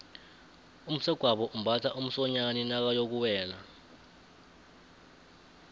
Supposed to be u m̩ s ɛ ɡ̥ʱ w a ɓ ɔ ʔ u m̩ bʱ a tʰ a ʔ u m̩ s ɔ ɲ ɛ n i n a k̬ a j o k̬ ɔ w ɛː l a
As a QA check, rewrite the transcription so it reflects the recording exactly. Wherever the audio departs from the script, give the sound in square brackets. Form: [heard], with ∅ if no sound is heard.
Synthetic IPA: u m̩ s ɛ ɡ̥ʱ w a ɓ ɔ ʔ u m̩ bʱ a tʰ a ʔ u m̩ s ɔ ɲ [a] n i n a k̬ a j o k̬ [u] w ɛː l a